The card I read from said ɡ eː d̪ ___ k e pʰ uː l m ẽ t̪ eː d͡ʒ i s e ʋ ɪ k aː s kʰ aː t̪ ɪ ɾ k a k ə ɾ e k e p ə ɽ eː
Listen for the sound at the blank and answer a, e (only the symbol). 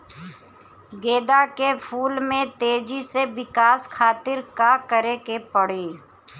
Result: a